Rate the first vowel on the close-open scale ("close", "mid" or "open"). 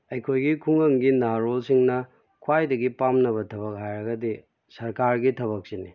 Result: open